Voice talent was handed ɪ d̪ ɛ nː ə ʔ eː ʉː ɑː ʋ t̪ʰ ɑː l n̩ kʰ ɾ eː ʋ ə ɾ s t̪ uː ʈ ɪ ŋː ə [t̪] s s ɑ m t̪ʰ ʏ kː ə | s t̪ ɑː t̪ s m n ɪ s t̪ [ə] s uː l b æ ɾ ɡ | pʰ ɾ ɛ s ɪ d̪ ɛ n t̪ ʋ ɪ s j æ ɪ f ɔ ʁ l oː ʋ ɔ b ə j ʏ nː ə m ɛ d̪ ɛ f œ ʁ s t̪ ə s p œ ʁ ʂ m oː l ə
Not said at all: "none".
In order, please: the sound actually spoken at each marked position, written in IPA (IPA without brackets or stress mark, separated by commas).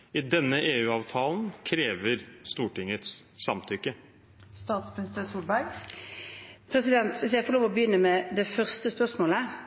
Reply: t̪, ə